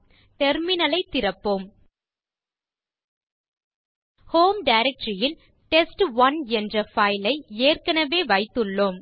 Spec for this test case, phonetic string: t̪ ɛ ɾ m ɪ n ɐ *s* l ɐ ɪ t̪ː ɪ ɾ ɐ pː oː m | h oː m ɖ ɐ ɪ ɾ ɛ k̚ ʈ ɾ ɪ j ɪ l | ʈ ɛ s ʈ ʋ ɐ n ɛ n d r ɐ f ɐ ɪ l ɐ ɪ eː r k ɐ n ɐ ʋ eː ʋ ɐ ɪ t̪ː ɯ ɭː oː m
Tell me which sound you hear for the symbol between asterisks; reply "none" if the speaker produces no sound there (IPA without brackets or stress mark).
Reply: none